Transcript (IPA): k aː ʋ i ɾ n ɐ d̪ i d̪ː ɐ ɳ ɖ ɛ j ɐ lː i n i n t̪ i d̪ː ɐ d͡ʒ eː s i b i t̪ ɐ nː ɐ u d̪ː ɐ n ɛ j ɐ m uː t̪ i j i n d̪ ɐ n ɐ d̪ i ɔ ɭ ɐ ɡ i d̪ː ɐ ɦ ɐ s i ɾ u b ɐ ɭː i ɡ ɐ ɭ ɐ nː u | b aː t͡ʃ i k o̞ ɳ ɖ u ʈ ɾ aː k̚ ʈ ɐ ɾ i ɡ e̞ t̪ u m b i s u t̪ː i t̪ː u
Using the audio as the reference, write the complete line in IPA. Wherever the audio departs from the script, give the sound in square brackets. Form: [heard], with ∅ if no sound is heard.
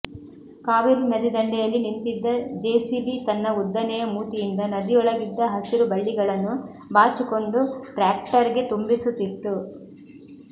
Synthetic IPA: k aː ʋ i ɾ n ɐ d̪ i [d̪] ɐ ɳ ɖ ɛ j ɐ lː i n i n t̪ i d̪ː ɐ d͡ʒ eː s i b i t̪ ɐ nː ɐ u d̪ː ɐ n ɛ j ɐ m uː t̪ i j i n d̪ ɐ n ɐ d̪ i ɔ ɭ ɐ ɡ i d̪ː ɐ ɦ ɐ s i ɾ u b ɐ ɭː i ɡ ɐ ɭ ɐ nː u | b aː t͡ʃ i k o̞ ɳ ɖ u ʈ ɾ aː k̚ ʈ ɐ ɾ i ɡ e̞ t̪ u m b i s u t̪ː i t̪ː u